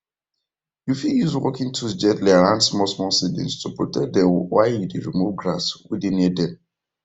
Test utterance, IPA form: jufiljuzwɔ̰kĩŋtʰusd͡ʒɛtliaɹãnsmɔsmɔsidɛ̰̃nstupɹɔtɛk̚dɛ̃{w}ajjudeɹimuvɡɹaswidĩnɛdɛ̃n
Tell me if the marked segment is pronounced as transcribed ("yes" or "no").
yes